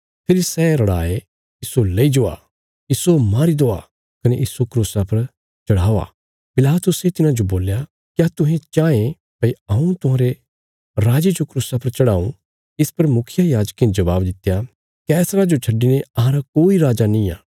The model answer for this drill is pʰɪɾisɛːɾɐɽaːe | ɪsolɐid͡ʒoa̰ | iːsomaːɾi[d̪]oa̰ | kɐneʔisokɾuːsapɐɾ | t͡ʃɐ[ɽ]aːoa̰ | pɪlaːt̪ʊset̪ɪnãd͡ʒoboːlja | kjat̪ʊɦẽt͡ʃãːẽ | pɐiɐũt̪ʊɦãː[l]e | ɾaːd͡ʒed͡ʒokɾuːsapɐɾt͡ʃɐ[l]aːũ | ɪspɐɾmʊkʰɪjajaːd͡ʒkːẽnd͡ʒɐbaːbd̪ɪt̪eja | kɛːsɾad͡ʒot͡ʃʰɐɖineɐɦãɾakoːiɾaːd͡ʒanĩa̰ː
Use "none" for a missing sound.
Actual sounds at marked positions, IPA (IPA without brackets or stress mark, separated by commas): d̪, ɽ, ɾ, ɽ